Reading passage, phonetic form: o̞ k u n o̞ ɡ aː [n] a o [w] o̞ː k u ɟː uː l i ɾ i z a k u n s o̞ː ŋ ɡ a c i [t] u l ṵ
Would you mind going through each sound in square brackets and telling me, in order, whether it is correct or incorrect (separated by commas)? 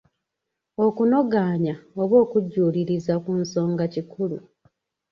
incorrect, incorrect, incorrect